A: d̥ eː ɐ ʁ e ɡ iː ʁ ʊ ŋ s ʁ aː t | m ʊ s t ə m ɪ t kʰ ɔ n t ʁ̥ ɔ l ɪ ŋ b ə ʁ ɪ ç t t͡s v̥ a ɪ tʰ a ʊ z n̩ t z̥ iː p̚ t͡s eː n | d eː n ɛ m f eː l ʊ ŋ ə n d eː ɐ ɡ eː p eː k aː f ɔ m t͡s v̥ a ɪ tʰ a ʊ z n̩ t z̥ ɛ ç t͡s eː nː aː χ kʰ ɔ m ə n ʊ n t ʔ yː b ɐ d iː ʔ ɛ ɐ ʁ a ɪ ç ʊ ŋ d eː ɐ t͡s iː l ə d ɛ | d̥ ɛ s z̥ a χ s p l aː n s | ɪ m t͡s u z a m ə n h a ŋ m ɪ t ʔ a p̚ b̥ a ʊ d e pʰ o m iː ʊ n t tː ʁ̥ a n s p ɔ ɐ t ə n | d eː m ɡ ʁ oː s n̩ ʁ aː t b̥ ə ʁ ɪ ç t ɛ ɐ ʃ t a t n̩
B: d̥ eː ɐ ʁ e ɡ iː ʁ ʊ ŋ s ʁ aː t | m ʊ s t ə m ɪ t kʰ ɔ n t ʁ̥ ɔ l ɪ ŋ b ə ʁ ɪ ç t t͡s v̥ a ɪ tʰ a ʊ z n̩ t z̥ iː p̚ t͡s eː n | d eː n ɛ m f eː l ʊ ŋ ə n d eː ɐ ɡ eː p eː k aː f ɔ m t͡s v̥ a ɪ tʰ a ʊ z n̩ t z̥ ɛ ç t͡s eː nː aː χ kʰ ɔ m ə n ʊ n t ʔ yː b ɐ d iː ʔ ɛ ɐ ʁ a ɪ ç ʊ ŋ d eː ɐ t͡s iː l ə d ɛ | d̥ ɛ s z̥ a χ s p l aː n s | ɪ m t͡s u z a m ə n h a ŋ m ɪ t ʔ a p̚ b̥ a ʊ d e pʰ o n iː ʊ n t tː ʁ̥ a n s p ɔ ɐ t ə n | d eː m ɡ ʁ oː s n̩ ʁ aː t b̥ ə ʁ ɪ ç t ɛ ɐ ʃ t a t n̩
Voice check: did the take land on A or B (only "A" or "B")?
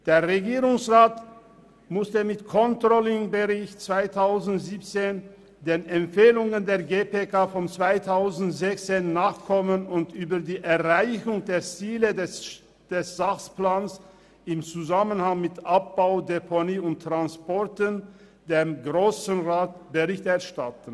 B